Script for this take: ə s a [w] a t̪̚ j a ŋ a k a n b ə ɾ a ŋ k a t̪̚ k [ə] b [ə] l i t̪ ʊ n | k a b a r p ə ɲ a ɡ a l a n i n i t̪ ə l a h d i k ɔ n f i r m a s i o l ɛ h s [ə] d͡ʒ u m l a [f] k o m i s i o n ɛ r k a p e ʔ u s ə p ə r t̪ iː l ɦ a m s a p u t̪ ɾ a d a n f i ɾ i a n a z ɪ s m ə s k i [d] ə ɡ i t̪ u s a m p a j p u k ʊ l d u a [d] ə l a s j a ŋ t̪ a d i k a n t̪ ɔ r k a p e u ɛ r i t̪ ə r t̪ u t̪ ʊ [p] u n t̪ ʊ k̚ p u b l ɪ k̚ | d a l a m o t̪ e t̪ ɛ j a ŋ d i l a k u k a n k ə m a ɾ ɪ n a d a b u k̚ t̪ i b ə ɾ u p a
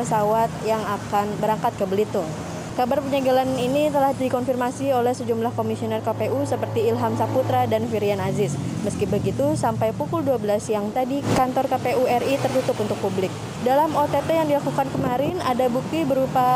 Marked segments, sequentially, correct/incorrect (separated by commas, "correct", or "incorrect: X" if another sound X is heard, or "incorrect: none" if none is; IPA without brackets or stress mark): correct, correct, correct, correct, incorrect: h, incorrect: b, incorrect: b, correct